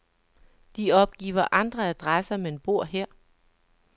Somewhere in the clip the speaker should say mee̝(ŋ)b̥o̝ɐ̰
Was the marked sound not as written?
yes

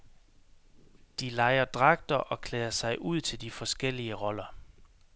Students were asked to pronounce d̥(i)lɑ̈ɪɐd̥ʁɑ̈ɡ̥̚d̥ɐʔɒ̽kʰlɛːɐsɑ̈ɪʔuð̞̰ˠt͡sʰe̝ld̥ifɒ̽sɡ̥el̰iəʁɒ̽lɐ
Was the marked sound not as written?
no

